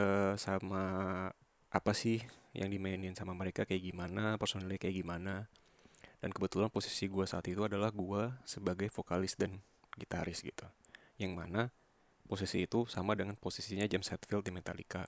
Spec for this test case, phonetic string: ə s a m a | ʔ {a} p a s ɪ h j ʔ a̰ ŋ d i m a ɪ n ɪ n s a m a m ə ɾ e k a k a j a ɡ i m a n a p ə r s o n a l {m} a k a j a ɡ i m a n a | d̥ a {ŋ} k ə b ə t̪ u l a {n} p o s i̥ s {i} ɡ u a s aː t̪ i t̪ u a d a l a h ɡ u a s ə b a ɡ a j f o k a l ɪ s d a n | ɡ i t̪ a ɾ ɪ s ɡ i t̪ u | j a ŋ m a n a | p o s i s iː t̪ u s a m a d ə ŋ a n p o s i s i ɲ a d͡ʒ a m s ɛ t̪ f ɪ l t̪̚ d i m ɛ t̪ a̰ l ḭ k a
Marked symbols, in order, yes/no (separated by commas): yes, no, no, yes, yes